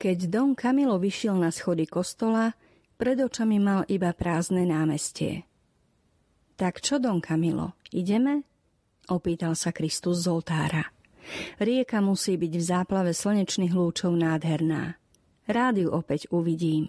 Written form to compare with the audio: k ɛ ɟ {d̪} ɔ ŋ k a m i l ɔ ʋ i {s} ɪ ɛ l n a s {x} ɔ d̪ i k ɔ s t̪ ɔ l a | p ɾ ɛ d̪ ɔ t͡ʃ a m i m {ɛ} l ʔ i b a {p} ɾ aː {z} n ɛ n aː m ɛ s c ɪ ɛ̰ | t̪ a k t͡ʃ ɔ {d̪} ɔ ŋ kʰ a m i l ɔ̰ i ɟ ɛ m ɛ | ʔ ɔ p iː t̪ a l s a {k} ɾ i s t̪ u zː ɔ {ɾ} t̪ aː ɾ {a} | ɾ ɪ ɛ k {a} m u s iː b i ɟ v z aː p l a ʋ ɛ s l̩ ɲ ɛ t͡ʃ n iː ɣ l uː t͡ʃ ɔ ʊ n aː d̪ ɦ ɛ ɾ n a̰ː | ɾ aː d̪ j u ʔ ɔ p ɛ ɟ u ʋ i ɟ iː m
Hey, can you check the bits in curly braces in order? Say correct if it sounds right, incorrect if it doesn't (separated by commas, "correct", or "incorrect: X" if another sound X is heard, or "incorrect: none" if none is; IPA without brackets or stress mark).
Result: correct, incorrect: ʃ, correct, incorrect: a, correct, correct, correct, correct, incorrect: l, correct, correct